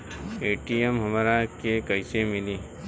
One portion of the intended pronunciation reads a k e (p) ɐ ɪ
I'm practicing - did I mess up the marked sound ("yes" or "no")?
yes